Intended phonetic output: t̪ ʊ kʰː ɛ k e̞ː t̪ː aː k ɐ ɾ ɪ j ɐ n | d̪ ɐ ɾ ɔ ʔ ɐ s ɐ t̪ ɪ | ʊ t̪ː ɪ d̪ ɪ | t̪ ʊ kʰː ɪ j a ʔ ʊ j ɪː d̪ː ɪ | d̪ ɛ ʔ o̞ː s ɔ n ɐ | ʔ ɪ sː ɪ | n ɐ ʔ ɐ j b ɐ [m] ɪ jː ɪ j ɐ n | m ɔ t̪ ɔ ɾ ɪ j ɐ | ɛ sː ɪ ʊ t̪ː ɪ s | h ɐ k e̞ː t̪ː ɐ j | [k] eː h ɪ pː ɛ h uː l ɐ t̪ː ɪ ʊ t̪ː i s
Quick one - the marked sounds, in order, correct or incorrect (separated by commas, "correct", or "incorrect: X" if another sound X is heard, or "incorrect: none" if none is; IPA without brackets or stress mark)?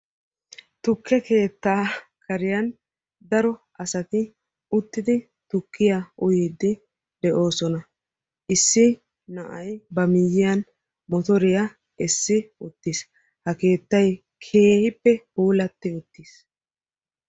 correct, incorrect: kʰ